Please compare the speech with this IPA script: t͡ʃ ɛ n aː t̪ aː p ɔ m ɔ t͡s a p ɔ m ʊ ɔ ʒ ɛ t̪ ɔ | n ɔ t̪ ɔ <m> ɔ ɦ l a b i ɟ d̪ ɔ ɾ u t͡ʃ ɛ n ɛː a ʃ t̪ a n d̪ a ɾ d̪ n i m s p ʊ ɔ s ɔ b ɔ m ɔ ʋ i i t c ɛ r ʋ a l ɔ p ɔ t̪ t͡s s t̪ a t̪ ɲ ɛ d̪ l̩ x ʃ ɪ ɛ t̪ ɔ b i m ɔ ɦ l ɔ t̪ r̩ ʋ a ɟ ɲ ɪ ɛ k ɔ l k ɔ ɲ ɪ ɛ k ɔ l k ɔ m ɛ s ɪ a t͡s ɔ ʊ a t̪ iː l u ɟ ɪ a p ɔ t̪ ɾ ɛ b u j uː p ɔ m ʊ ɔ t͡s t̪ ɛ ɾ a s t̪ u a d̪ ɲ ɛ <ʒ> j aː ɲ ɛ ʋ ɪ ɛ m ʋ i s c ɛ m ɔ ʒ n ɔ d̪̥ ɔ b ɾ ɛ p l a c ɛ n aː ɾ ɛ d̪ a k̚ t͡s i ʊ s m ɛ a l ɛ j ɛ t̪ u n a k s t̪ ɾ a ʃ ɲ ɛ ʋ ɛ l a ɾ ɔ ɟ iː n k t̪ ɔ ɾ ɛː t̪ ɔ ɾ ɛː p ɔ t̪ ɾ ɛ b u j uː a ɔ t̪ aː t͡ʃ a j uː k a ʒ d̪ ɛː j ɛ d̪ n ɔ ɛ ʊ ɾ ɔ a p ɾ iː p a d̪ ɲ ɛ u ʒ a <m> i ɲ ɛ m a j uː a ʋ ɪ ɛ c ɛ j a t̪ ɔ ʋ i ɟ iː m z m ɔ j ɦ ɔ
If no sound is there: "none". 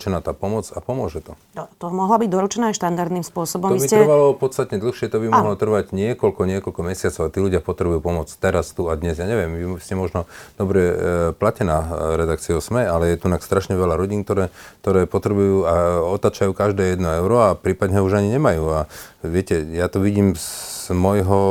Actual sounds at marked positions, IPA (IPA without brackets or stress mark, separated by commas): m, z, ɲ